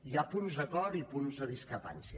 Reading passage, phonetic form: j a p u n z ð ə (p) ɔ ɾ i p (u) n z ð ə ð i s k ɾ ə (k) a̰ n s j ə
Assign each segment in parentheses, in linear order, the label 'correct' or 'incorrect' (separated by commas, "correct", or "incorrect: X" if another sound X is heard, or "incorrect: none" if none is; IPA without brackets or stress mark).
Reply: incorrect: k, correct, incorrect: p